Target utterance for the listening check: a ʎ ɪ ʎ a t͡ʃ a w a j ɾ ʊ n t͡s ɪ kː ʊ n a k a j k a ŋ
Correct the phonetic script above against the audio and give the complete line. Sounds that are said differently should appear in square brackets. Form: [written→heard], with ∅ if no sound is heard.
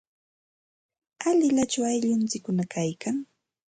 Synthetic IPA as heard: a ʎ ɪ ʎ a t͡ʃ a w a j [ɾ→ʎ] ʊ n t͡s ɪ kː ʊ n a k a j k a ŋ